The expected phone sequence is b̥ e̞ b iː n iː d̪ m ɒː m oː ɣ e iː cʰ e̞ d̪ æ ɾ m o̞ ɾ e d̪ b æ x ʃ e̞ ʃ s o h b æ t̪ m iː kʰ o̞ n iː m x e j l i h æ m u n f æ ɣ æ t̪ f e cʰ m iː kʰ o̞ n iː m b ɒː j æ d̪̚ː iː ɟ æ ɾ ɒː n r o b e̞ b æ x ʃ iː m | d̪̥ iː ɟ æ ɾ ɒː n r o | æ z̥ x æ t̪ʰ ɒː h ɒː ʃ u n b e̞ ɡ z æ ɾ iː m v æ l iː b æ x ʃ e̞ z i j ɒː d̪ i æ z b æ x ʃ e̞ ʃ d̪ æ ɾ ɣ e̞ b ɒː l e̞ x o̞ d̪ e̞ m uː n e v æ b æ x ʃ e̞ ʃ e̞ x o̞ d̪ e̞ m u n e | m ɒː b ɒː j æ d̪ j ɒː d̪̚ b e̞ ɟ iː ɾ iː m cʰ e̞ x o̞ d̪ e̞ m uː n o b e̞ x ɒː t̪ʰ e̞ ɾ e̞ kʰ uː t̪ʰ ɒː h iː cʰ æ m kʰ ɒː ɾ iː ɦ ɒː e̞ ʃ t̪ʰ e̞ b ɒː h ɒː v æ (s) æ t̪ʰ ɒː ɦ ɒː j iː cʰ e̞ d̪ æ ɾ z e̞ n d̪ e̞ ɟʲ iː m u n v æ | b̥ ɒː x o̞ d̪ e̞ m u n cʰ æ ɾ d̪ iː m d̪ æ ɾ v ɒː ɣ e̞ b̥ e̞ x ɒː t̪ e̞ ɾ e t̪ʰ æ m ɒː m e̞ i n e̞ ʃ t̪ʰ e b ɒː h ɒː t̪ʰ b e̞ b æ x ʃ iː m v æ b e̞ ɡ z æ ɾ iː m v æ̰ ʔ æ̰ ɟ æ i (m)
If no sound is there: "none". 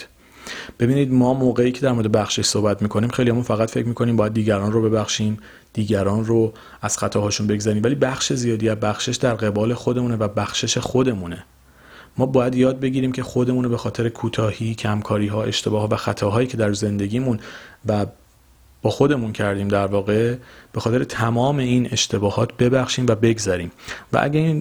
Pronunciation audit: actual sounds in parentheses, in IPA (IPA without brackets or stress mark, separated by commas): x, n